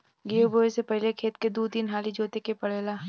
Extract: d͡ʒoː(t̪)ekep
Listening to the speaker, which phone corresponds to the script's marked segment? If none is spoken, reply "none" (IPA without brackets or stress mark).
t̪